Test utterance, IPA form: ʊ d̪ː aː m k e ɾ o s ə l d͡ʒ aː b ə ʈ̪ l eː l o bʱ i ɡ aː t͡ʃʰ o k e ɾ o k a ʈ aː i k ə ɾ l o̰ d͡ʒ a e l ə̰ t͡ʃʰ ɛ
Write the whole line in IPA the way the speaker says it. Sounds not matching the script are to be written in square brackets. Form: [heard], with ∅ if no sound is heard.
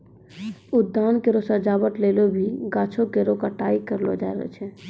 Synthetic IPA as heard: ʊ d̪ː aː [n] k e ɾ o s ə [ɾ] d͡ʒ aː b ə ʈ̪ l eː l o bʱ i ɡ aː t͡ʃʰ o k e ɾ o k a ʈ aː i k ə ɾ l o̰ d͡ʒ a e [ɾ] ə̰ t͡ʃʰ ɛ

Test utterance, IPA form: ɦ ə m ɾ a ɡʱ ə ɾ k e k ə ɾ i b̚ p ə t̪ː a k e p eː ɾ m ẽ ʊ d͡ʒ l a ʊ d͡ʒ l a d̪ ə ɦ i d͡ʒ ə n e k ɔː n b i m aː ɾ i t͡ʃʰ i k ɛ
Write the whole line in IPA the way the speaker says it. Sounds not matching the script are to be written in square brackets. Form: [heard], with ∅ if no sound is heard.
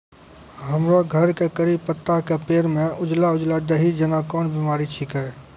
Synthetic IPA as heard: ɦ ə m ɾ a ɡʱ ə ɾ k e k ə ɾ i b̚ p ə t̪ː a k e p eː ɾ m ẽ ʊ d͡ʒ l a ʊ d͡ʒ l a d̪ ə ɦ i d͡ʒ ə n [a] k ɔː n b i m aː ɾ i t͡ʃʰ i k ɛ

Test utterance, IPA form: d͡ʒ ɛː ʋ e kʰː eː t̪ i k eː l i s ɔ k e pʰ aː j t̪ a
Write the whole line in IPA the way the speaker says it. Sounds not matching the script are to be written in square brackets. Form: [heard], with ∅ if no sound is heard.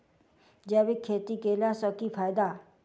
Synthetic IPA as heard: d͡ʒ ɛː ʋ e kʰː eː t̪ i k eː l [a] s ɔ k [i] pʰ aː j [d̪] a

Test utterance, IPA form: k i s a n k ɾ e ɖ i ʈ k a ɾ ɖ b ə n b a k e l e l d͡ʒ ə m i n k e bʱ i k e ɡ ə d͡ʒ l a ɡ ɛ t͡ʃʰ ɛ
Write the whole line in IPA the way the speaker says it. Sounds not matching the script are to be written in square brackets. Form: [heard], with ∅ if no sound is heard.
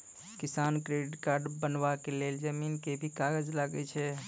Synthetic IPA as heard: k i s a n k ɾ e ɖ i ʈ k a ɾ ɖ b ə n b a k e l e l d͡ʒ ə m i n k e bʱ i k [a] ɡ ə d͡ʒ l a ɡ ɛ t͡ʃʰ ɛ

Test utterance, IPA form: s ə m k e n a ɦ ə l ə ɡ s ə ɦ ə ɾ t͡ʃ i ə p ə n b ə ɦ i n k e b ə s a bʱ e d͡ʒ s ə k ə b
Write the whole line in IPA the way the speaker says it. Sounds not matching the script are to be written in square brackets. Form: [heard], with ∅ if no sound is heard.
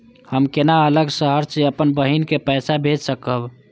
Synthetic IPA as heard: [h] ə m k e n a [∅] ə l ə ɡ s ə ɦ ə ɾ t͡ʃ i ə p ə n b ə ɦ i n k e [p] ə s a bʱ e d͡ʒ s ə k ə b

